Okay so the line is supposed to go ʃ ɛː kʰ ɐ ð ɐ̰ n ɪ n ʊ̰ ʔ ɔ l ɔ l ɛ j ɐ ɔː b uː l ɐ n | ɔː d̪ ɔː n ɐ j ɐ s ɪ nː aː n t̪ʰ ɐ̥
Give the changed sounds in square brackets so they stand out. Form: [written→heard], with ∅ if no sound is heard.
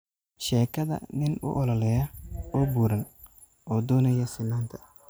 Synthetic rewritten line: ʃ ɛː kʰ ɐ ð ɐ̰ n ɪ n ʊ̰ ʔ ɔ l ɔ l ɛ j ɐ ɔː b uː [l→ɾ] ɐ n | ɔː d̪ ɔː n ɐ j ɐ s ɪ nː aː n t̪ʰ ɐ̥